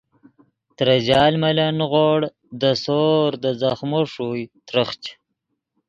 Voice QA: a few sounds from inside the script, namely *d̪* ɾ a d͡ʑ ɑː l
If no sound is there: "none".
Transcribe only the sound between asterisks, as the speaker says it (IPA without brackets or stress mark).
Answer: t̪